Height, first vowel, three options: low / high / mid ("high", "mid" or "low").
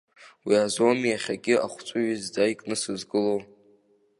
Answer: high